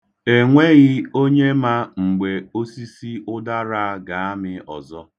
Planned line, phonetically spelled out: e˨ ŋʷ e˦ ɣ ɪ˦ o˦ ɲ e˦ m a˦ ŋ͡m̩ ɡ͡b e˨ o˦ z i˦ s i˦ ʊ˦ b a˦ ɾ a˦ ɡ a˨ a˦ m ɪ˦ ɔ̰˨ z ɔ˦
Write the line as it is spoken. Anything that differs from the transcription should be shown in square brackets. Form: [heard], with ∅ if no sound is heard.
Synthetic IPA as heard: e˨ ŋʷ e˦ ɣ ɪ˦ o˦ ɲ e˦ m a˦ ŋ͡m̩ ɡ͡b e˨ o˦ [s] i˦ s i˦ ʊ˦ [d] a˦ ɾ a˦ ɡ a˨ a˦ m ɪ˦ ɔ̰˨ z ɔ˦